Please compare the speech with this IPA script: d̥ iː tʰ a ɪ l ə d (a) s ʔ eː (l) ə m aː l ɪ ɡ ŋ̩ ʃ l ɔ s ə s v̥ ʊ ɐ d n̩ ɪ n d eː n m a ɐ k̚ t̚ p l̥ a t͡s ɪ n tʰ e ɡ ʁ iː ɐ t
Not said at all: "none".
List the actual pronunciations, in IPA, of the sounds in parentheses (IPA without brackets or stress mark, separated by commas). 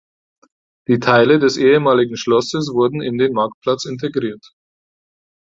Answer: ɛ, none